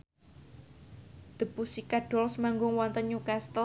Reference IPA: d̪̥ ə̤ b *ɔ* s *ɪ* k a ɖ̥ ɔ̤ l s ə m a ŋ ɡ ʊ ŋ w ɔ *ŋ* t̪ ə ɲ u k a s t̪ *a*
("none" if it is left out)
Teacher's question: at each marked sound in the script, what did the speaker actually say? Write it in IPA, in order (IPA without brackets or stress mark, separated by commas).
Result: u, i, n, ə